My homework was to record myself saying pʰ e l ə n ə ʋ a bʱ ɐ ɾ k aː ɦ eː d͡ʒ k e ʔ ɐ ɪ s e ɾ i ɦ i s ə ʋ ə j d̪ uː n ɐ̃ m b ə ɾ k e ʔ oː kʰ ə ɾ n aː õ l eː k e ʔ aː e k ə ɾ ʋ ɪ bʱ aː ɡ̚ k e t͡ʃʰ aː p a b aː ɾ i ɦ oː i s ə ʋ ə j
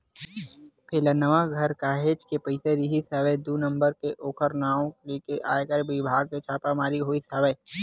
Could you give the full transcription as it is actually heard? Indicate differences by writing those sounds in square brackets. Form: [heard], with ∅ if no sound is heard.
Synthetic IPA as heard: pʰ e l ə n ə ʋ a [ɡʱ] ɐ ɾ k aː ɦ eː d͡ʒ k e [p] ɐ ɪ s e ɾ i ɦ i s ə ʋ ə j d̪ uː n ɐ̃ m b ə ɾ k e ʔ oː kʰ ə ɾ n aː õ l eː k e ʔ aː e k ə ɾ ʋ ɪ bʱ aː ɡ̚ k e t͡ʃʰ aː p a [m] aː ɾ i ɦ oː i s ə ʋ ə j